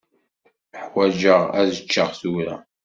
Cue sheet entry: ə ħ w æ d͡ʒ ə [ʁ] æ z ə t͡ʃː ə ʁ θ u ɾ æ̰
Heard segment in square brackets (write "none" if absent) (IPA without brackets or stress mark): ʁ